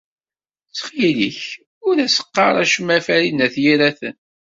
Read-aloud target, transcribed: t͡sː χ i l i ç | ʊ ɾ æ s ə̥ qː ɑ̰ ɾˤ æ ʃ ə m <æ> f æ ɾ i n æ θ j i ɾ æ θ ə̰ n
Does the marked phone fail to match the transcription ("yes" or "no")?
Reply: no